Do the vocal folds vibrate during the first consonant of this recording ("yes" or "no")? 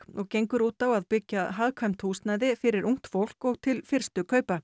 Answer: yes